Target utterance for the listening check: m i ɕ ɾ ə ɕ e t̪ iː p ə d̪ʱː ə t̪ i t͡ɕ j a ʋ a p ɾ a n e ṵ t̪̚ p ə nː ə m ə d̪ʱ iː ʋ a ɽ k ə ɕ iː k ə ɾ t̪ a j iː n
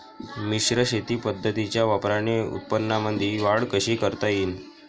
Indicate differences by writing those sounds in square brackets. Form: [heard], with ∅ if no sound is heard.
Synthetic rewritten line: m i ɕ ɾ ə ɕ e t̪ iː p ə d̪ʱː ə t̪ i t͡ɕ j a ʋ a p ɾ a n e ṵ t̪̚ p ə nː [a] m ə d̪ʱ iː ʋ a ɽ k ə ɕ iː k ə ɾ t̪ a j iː n